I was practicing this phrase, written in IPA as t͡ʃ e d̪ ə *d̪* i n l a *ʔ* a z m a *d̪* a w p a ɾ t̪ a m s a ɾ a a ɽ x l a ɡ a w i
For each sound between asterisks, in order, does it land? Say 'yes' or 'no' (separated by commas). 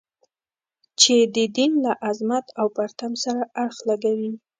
yes, yes, no